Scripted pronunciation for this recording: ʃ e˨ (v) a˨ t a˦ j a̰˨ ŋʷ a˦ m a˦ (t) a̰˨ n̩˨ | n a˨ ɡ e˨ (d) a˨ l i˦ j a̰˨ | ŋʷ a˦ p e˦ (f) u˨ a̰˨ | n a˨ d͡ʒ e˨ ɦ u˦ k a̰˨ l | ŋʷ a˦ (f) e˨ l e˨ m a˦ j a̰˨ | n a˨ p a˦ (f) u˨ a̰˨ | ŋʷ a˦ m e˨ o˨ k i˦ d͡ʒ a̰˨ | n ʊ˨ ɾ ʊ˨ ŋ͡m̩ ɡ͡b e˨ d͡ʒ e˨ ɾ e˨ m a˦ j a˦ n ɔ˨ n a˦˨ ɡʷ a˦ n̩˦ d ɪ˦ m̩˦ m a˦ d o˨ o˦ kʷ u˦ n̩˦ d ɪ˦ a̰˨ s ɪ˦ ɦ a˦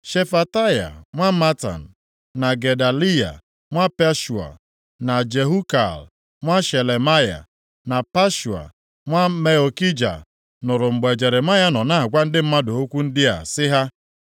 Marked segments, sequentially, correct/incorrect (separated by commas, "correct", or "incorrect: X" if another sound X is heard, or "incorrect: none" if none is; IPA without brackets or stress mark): incorrect: f, correct, correct, incorrect: ʃ, incorrect: ʃ, incorrect: ʃ